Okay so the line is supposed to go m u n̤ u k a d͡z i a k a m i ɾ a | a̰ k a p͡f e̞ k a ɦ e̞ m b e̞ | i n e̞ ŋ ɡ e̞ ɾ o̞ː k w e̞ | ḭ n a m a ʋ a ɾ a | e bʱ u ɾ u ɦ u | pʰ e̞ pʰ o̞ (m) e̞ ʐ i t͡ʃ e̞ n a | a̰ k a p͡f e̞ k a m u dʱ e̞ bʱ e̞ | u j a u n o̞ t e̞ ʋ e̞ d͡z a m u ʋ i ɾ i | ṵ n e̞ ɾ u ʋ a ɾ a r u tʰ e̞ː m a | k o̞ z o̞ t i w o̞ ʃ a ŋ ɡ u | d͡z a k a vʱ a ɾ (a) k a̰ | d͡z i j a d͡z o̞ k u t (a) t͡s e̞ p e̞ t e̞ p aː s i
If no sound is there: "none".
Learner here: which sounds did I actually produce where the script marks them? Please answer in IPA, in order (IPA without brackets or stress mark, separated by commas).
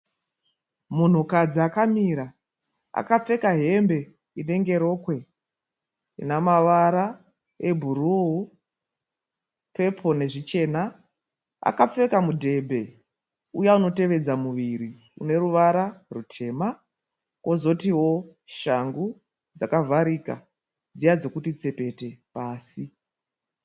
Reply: n, i, i